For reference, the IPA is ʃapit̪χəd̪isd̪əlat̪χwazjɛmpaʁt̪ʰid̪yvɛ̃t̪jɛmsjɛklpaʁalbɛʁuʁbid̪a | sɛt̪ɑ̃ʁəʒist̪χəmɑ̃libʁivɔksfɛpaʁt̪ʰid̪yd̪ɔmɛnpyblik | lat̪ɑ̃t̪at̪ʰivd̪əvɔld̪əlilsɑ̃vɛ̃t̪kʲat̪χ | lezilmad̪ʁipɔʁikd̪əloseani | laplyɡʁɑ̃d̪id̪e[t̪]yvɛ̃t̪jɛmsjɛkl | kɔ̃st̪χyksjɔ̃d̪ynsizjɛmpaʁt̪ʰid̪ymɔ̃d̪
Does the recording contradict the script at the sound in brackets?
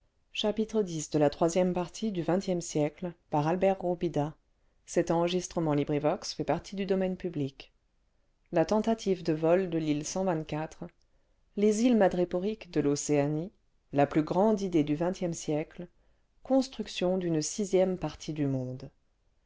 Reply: yes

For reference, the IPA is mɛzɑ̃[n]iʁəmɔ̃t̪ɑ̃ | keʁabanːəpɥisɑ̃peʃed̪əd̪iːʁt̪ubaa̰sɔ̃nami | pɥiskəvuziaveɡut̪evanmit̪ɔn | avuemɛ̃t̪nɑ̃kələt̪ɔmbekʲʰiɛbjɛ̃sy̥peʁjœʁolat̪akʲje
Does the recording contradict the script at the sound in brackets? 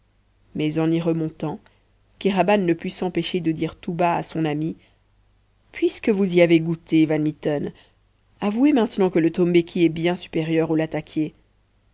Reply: no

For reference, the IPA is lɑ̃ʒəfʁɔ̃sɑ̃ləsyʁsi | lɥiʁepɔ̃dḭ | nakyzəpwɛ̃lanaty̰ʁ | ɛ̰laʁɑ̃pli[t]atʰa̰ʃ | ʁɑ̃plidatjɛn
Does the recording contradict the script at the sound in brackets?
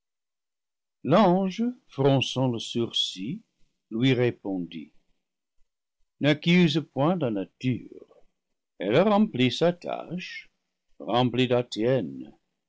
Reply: yes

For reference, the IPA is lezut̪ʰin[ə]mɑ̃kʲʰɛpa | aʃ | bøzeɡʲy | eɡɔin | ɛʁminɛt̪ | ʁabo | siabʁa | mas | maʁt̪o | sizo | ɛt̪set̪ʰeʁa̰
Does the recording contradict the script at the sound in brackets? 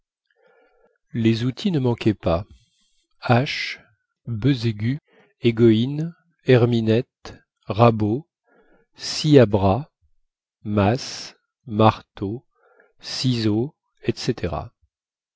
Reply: no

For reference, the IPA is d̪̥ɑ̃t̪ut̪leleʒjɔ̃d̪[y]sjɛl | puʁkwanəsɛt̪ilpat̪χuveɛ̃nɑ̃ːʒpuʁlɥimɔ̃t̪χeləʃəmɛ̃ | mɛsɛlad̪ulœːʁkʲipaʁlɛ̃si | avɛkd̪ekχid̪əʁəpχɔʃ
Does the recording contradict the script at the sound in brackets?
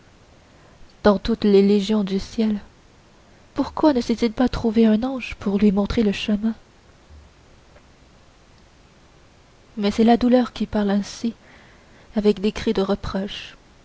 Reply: no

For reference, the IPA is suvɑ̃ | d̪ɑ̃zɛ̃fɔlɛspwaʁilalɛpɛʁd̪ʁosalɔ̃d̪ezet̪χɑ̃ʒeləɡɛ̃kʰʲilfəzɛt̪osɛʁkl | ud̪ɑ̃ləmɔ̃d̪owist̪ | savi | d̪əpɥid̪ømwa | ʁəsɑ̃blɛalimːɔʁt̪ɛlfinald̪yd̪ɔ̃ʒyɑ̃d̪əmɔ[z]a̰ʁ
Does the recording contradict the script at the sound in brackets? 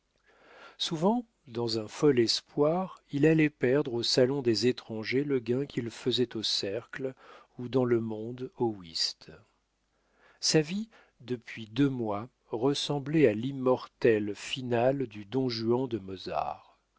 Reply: no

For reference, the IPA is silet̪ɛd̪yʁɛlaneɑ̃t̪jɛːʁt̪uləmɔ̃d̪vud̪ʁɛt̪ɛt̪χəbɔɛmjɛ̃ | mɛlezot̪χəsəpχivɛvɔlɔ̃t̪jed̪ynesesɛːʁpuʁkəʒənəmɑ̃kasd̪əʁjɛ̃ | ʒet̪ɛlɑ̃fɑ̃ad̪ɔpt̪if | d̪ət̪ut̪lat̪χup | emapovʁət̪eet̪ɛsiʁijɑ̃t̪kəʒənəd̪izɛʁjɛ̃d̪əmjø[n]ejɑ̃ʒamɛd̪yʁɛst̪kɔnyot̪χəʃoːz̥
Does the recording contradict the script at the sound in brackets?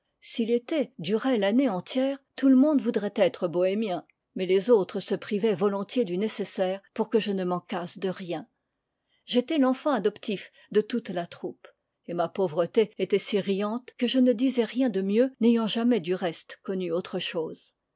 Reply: no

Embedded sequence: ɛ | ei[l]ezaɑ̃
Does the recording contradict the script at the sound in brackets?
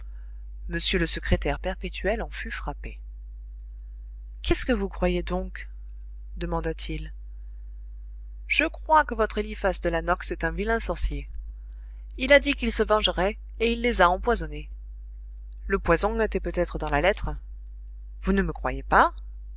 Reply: yes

